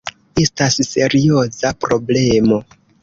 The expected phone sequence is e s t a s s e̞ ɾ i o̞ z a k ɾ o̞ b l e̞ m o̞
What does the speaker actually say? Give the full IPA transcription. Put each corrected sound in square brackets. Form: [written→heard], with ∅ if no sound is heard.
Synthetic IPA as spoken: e s t a s s e̞ ɾ i o̞ z a [k→p] ɾ o̞ b l e̞ m o̞